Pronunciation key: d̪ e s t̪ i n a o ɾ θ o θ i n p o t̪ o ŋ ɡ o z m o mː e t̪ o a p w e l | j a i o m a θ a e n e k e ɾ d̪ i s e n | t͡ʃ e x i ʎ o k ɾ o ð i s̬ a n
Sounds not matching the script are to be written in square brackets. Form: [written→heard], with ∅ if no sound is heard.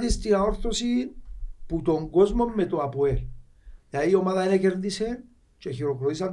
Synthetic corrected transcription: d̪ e s t̪ i n a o ɾ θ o [θ→s] i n p [o→u] t̪ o ŋ ɡ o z m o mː e t̪ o a p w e l | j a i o m a [θ→ð] a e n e k e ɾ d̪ i s e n | t͡ʃ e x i [ʎ→ɾ] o k ɾ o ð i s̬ a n